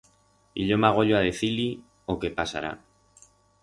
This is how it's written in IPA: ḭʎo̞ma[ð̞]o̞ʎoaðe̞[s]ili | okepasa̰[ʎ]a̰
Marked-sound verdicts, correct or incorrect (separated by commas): incorrect, incorrect, incorrect